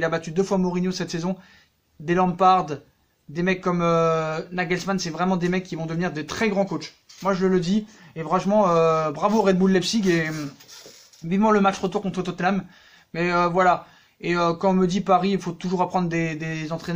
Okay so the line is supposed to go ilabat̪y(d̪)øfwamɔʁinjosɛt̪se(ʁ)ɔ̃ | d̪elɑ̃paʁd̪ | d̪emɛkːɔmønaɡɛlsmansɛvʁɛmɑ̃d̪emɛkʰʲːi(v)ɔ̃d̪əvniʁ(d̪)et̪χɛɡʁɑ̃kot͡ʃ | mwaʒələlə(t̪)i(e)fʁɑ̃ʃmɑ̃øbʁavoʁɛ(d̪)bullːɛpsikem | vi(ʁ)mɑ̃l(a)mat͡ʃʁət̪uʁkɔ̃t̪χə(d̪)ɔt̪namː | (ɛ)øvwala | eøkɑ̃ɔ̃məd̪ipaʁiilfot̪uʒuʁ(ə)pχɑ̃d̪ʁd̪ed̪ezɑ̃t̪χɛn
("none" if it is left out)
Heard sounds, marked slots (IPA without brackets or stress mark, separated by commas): d̪, z, v, d̪, d̪, e, d̪, v, ə, t̪, ɛ, a